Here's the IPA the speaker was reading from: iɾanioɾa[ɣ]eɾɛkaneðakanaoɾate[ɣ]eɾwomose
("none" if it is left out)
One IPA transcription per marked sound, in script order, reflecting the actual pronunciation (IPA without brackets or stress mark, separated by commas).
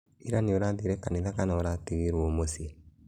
ð, ɣ